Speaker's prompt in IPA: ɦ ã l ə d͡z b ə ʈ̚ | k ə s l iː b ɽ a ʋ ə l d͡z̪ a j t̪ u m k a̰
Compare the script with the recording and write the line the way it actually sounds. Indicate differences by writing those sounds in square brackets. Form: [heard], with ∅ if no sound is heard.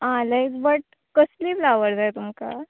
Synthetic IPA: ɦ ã l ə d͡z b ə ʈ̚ | k ə s l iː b [l] a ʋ ə [ɾ] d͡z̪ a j t̪ u m k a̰